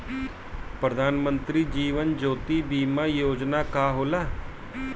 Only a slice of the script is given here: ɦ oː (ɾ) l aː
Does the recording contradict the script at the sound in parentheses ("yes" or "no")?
yes